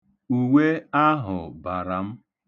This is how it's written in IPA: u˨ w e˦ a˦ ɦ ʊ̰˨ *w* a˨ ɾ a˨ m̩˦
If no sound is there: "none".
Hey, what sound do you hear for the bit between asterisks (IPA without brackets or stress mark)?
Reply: b